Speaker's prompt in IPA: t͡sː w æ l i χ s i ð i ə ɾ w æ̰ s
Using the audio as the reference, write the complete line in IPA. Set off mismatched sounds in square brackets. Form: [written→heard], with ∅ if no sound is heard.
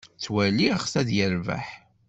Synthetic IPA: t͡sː w æ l i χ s [i→æ] ð [i→j] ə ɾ [w→v] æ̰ [s→ħ]